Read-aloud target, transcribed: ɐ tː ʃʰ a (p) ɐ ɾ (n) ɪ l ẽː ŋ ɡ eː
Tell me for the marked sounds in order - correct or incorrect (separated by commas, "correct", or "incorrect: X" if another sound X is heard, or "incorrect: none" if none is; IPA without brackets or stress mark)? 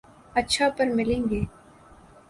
correct, incorrect: m